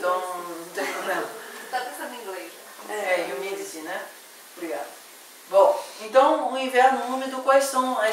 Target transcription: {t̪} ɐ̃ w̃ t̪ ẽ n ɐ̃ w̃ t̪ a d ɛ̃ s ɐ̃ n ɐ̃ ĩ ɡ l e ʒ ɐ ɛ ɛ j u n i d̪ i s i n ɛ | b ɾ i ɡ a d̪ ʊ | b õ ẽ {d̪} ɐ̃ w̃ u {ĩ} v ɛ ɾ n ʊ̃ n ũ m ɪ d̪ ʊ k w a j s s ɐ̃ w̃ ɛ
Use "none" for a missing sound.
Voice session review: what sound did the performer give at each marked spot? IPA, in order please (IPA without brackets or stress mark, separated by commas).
t̪, t̪, ĩ